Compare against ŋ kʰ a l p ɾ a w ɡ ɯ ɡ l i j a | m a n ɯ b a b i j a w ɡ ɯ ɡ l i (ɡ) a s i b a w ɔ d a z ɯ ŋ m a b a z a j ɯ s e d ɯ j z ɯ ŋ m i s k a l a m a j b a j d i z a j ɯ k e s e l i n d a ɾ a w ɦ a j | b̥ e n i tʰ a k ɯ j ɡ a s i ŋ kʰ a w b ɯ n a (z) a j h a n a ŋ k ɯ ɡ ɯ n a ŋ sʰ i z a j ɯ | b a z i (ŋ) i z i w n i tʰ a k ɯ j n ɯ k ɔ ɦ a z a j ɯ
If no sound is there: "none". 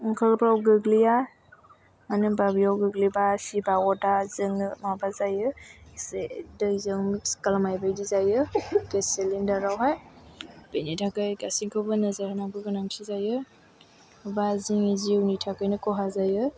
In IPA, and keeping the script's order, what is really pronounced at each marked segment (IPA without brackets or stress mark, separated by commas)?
b, z, ŋ